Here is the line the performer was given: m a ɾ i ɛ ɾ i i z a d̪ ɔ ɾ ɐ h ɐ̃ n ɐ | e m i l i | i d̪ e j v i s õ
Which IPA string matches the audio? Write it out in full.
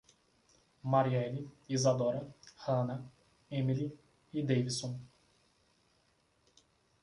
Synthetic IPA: m a ɾ i ɛ l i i z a d̪ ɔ ɾ ɐ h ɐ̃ n ɐ | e m i l i | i d̪ e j v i s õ